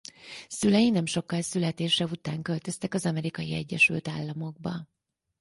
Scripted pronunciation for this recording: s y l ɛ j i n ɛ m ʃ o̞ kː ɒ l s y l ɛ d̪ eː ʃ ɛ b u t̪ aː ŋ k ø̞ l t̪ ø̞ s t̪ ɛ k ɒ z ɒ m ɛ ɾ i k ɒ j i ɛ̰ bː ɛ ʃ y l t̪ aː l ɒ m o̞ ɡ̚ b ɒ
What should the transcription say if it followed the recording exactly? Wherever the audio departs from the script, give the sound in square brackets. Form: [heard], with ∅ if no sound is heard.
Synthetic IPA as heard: s y l ɛ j i n ɛ m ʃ o̞ kː ɒ l s y l ɛ [t̪] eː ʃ ɛ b u t̪ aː ŋ k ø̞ l t̪ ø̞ s t̪ ɛ k ɒ z ɒ m ɛ ɾ i k ɒ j i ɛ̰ [ɟː] ɛ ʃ y l t̪ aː [lː] ɒ m o̞ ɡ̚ b ɒ